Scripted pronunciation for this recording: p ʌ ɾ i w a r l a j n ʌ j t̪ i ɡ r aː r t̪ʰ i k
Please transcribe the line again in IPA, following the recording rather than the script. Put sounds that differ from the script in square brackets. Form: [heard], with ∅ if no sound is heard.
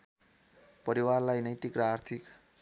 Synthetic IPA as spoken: p ʌ ɾ i w a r l a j n ʌ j t̪ i [k] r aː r t̪ʰ i k